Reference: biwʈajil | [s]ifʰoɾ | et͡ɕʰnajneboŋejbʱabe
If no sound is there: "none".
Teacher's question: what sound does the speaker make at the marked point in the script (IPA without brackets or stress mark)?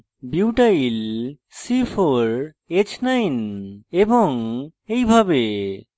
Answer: s